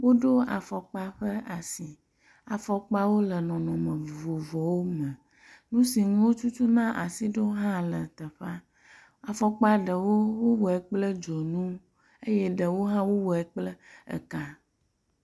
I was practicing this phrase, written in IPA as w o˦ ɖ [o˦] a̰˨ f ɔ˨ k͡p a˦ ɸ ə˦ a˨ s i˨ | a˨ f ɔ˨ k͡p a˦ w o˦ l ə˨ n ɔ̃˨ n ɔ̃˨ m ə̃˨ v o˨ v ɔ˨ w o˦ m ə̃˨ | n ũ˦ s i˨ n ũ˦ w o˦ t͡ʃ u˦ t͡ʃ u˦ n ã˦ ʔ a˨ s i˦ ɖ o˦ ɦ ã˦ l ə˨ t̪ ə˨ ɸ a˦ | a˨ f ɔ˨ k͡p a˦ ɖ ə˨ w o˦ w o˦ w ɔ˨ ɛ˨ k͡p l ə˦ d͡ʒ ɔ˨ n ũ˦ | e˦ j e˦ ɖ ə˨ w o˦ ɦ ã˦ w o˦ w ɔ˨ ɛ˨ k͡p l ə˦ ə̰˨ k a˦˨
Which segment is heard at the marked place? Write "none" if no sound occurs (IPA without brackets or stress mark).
o˦